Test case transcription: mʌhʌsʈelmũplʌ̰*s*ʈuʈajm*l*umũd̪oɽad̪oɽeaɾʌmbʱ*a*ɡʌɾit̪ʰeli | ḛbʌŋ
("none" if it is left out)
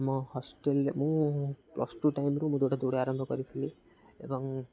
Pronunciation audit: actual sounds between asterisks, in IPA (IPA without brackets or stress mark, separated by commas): s, ɾ, ʌ